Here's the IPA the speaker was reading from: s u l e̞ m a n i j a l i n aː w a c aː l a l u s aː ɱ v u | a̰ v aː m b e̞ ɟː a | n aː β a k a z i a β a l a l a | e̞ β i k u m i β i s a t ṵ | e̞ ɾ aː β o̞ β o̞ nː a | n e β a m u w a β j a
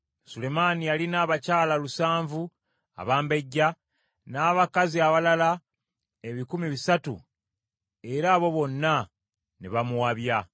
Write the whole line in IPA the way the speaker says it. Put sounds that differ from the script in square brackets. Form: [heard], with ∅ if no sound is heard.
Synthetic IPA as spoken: s u l e̞ m a n i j a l i n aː [β] a c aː l a l u s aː ɱ v u | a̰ [β] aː m b e̞ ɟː a | n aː β a k a z i a β a l a l a | e̞ β i k u m i β i s a t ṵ | e̞ ɾ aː β o̞ β o̞ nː a | n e β a m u w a β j a